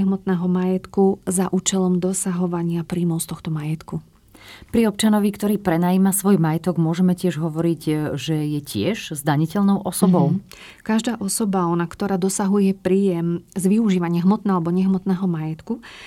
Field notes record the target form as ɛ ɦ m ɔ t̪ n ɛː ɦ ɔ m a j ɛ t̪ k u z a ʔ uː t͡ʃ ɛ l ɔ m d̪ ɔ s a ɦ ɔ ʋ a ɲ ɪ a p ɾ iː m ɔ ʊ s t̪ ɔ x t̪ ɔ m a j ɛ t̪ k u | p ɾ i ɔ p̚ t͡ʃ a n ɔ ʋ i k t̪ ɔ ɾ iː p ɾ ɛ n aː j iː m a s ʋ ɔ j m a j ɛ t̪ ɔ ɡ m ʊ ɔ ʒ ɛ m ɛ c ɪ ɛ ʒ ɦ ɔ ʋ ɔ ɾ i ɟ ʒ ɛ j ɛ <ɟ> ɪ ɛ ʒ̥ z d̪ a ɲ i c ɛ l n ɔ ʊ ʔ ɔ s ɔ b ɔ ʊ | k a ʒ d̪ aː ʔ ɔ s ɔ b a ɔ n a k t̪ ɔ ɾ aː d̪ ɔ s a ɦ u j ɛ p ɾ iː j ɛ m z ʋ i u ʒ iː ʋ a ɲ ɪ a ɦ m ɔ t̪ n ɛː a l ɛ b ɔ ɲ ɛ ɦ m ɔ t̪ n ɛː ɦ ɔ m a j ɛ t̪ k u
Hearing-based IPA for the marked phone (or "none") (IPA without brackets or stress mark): c